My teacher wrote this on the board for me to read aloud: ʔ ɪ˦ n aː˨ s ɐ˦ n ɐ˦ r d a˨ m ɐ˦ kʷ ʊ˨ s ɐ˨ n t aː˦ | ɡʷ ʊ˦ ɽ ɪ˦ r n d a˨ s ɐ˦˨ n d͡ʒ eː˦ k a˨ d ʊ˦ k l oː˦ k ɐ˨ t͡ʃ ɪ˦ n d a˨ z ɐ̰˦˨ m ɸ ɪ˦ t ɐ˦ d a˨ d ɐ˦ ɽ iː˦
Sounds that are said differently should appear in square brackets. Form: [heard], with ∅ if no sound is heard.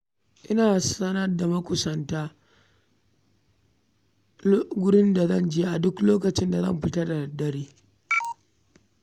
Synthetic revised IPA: ʔ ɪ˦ n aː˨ s ɐ˦ n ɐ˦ r d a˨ m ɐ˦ kʷ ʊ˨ s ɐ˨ n t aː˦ | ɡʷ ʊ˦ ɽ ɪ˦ [∅] n d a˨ [z] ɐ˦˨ n d͡ʒ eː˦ [ʔ] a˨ d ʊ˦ k l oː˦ k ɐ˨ t͡ʃ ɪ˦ n d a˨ z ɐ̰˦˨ m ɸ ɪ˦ t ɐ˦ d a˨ d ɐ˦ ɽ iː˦

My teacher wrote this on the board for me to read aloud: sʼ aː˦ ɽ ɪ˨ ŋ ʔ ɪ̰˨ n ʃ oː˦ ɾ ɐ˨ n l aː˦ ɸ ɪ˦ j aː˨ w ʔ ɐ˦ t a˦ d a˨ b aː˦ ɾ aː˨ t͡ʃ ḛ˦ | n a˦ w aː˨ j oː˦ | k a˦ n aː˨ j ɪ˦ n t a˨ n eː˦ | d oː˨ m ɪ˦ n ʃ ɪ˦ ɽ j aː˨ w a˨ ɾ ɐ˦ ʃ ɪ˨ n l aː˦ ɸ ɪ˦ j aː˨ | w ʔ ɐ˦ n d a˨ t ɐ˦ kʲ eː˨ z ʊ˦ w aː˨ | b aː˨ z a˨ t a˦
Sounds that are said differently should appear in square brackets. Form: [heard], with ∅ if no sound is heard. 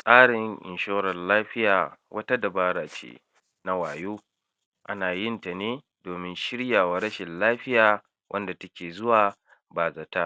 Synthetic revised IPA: sʼ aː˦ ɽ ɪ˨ ŋ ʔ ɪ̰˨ n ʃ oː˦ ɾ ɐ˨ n l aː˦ ɸ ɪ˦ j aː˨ w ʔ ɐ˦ t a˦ d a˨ b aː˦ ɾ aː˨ t͡ʃ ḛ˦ | n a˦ w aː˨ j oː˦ | [ʔ] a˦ n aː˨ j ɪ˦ n t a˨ n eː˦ | d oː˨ m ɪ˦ n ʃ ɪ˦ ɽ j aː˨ w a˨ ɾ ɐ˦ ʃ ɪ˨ n l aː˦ ɸ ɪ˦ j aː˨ | w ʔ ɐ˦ n d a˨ t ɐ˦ kʲ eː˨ z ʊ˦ w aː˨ | b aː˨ z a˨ t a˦

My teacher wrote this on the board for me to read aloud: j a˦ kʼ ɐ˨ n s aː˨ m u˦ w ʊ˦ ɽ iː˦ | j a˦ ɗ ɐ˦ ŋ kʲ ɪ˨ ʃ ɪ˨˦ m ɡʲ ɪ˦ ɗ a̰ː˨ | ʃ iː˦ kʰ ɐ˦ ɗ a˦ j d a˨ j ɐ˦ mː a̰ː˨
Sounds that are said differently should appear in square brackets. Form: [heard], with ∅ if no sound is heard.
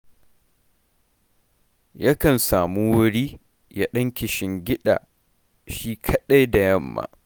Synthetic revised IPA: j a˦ [k] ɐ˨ n s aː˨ m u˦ w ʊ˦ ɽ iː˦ | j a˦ ɗ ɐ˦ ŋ kʲ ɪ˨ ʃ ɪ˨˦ [ŋ] ɡʲ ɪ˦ ɗ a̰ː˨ | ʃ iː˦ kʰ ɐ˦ ɗ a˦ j d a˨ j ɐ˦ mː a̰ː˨

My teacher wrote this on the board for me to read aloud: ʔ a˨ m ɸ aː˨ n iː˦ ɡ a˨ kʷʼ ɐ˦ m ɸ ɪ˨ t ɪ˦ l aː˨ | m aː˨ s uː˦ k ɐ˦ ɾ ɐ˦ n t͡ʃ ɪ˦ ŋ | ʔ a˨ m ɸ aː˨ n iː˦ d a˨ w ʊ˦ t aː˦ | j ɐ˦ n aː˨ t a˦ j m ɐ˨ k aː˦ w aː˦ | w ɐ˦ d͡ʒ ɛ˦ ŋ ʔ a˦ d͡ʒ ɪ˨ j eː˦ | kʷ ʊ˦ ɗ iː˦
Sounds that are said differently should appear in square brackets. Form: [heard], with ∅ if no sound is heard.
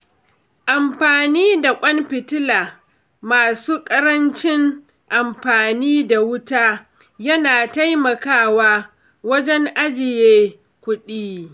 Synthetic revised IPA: ʔ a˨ m ɸ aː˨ n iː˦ [d] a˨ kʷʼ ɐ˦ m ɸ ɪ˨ t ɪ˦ l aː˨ | m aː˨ s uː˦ [kʼ] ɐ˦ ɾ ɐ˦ n t͡ʃ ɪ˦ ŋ | ʔ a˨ m ɸ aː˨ n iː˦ d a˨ w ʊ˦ t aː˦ | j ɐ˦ n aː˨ t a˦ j m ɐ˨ k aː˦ w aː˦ | w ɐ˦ d͡ʒ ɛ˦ ŋ ʔ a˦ d͡ʒ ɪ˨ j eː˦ | kʷ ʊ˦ ɗ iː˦

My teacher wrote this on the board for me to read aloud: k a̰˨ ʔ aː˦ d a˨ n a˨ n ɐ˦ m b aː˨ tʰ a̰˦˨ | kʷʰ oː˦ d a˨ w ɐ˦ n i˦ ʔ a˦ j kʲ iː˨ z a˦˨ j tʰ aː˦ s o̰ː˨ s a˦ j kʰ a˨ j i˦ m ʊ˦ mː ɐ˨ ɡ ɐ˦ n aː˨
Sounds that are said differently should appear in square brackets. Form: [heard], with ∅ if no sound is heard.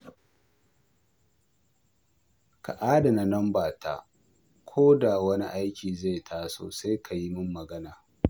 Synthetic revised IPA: k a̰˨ ʔ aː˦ d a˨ n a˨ n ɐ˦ m b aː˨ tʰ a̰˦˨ | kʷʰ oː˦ d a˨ w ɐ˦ n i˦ ʔ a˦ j kʲ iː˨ z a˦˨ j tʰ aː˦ s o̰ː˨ s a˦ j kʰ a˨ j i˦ m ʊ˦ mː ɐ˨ ɡ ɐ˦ n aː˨

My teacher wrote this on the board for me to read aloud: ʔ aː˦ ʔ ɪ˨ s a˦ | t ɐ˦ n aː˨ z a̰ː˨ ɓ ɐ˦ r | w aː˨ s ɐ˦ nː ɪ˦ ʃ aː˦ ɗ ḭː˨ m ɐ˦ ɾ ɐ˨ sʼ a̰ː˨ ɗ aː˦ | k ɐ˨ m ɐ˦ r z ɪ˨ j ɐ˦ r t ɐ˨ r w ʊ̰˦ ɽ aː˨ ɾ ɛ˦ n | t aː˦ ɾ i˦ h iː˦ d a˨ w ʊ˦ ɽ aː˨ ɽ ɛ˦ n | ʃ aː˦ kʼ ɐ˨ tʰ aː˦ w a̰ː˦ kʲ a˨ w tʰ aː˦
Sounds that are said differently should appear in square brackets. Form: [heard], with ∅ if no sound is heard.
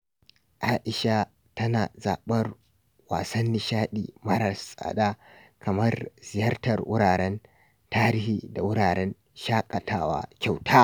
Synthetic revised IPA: ʔ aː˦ ʔ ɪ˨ [ʃ] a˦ | t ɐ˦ n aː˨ z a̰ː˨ ɓ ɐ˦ r | w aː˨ s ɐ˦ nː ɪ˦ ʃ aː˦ ɗ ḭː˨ m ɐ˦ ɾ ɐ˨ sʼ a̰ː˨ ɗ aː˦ | k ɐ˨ m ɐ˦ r z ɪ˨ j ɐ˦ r t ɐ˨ r w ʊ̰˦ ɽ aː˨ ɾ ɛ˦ n | t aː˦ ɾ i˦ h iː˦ d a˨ w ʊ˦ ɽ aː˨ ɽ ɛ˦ n | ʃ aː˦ kʼ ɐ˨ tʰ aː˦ w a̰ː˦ kʲ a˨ w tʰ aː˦

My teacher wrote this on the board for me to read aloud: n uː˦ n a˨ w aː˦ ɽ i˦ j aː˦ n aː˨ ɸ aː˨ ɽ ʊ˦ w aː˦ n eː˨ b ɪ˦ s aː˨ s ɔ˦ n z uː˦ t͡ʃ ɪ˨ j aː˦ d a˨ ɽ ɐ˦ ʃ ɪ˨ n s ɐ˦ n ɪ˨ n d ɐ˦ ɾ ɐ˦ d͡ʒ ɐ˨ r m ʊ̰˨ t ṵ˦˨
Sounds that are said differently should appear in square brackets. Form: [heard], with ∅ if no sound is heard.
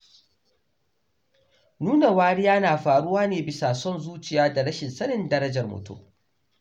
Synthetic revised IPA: n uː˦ n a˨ w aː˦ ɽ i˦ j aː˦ n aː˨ ɸ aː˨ ɽ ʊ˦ w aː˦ n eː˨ b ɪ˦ s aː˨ s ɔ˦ n z uː˦ t͡ʃ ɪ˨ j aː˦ d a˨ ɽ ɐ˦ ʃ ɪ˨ n s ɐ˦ n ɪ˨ n d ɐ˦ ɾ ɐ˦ d͡ʒ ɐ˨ r m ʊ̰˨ t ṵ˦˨

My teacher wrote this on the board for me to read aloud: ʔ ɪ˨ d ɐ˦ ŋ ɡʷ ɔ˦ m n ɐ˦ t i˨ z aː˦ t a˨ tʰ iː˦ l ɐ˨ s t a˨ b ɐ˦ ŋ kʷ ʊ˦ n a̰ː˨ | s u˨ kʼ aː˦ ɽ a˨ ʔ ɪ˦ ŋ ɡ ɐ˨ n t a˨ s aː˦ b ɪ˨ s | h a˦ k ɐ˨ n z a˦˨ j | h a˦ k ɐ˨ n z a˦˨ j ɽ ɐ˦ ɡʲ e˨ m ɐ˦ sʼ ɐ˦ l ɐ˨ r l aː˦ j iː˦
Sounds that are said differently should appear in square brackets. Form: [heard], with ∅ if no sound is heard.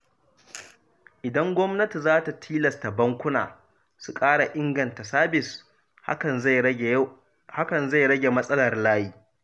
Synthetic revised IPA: ʔ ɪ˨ d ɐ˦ ŋ ɡʷ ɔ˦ m n ɐ˦ t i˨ z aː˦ t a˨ tʰ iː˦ l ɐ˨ s t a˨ b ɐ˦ ŋ kʷ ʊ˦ n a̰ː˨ | s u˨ kʼ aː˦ ɽ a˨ ʔ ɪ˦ ŋ ɡ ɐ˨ n t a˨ s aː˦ b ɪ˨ s | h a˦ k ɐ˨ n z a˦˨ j | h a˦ k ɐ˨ n z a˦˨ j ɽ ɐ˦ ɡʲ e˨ m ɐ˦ sʼ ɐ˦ l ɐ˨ r l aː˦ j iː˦

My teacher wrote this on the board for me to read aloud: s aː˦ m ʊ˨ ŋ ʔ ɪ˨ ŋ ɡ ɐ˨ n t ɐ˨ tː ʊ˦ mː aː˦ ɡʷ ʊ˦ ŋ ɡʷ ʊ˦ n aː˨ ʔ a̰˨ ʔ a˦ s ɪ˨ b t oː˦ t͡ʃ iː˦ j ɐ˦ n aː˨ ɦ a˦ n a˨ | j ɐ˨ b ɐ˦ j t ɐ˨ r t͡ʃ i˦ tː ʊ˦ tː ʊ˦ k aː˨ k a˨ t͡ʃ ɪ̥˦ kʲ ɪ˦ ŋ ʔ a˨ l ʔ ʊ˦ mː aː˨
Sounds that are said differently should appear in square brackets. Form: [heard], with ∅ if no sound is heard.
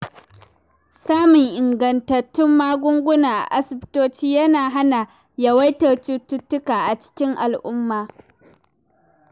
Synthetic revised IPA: s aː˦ m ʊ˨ ŋ ʔ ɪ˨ ŋ ɡ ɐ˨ n t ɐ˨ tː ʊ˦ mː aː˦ ɡʷ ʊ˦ ŋ ɡʷ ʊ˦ n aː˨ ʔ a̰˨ ʔ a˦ s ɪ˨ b t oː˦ t͡ʃ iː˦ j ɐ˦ n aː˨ ɦ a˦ n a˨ | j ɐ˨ [w] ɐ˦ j t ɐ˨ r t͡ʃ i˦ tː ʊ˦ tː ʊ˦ k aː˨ [ʔ] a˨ t͡ʃ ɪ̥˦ kʲ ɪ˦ ŋ ʔ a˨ l ʔ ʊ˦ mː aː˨

